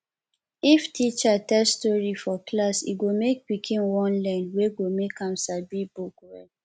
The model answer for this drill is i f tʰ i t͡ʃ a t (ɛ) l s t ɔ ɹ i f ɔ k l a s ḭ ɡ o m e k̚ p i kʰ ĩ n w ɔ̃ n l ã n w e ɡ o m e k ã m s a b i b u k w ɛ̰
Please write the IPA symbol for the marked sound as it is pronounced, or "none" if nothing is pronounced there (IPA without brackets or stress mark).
ɛ